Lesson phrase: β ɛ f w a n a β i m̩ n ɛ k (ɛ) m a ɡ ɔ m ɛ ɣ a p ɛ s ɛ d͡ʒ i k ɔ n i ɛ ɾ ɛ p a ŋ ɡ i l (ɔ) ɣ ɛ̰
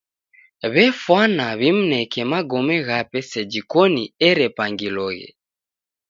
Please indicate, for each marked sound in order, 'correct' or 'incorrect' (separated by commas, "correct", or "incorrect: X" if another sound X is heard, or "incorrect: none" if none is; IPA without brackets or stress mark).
correct, correct